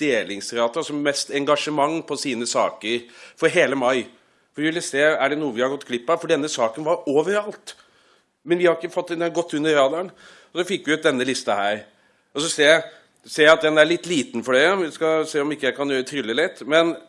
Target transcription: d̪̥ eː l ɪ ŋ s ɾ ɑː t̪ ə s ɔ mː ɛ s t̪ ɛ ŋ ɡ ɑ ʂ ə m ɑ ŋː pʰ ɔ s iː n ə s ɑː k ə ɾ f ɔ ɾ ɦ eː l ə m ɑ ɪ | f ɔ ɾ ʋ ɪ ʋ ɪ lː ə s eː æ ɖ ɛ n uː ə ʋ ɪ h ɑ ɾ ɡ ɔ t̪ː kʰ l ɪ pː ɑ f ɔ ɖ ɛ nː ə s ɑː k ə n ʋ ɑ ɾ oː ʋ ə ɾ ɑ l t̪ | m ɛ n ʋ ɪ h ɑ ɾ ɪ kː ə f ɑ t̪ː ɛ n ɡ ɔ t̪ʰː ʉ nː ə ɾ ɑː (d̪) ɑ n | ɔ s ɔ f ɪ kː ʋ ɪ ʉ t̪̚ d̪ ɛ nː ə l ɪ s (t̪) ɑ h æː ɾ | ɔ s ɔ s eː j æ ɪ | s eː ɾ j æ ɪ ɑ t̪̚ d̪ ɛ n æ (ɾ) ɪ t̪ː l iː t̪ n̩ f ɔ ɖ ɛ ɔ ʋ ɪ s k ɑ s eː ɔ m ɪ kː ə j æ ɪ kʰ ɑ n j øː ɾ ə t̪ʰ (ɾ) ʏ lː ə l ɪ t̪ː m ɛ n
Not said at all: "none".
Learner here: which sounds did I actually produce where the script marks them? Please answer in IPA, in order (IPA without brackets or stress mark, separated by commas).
d̪, t̪, ɭ, ɾ